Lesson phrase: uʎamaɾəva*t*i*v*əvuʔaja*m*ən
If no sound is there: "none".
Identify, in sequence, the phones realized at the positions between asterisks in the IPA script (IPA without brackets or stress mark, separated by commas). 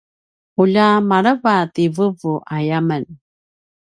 t, v, m